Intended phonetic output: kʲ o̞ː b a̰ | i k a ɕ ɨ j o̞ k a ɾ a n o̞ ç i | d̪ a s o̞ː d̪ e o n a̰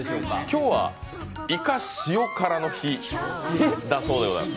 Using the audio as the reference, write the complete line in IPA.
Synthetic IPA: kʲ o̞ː β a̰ | i k a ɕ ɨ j o̞ k a ɾ a n o̞ ç i | d̪ a s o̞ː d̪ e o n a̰